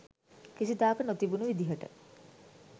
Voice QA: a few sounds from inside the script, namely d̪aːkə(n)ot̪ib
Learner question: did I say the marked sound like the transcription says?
yes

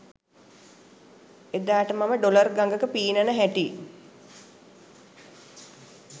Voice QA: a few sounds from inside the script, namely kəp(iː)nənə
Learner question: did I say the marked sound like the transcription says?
yes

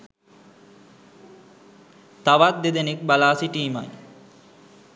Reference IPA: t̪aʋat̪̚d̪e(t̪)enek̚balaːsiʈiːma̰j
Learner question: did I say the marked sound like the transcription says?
no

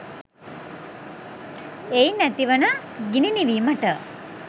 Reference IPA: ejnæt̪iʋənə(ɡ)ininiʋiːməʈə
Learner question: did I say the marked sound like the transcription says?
yes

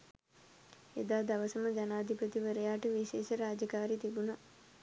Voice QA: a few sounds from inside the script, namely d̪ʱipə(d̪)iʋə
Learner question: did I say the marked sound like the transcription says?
no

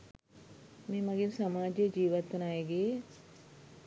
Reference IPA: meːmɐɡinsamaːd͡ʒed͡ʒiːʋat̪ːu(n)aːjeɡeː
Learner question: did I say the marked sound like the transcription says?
yes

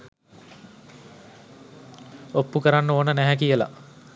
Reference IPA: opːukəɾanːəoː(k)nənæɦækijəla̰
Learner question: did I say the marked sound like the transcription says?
no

